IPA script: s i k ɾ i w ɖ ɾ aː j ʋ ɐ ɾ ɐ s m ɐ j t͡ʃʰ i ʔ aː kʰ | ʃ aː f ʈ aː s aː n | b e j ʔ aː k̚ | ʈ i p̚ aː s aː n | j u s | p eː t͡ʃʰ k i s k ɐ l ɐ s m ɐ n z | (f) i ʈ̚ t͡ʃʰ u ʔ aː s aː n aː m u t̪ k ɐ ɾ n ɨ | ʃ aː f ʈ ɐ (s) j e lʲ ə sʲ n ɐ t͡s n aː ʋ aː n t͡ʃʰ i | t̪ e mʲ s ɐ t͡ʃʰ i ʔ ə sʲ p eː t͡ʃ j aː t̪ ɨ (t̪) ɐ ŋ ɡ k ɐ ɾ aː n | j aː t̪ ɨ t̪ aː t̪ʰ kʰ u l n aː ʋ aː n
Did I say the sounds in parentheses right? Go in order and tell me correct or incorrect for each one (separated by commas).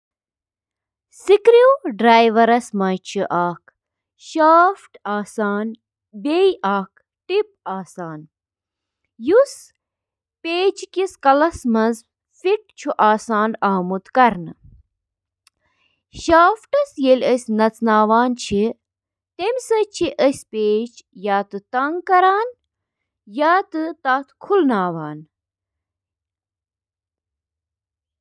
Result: correct, correct, correct